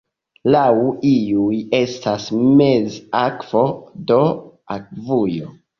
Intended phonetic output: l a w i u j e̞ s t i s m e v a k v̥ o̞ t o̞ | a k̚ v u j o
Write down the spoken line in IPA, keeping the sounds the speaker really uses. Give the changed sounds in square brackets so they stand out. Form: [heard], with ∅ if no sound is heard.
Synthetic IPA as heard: l a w i u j e̞ s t [a] s m e [z] a k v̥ o̞ [d] o̞ | a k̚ v u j o